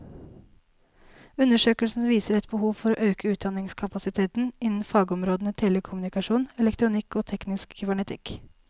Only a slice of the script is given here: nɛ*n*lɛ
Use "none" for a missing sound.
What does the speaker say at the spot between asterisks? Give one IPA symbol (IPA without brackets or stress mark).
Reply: none